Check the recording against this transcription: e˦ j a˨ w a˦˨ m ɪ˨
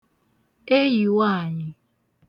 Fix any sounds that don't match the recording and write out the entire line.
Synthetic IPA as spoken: e˦ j i˨ w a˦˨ ɲ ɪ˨